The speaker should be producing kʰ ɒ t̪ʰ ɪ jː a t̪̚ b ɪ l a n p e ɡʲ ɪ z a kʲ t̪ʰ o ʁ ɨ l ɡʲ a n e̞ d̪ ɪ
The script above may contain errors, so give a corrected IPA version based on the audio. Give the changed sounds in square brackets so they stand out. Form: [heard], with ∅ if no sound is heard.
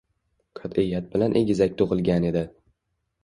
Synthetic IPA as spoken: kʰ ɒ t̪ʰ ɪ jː a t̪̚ b ɪ l a n [ʔ] e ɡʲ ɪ z a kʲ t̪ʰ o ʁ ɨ l ɡʲ a n e̞ d̪ ɪ